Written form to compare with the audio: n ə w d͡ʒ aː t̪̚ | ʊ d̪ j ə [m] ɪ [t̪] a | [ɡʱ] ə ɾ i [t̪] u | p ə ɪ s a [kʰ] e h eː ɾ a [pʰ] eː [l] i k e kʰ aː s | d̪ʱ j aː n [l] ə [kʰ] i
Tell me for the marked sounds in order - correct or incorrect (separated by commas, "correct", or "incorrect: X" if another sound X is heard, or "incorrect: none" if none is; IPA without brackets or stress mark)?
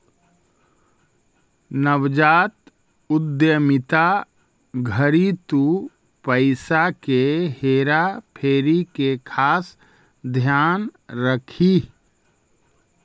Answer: correct, correct, correct, correct, incorrect: k, correct, incorrect: ɾ, incorrect: ɾ, correct